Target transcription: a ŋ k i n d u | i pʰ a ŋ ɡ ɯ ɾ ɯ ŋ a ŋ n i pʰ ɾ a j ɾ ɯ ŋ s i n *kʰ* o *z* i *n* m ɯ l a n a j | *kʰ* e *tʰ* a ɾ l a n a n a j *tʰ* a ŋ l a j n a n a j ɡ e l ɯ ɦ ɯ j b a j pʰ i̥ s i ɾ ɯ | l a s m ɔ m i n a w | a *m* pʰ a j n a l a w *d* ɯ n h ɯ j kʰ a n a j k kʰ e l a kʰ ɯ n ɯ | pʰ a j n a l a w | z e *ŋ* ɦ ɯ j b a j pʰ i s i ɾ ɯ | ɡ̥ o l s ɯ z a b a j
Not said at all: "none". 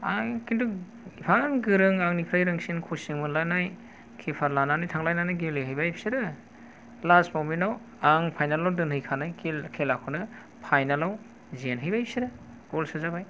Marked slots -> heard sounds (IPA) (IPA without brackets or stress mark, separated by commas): kʰ, s, ŋ, kʰ, pʰ, tʰ, ŋ, d, n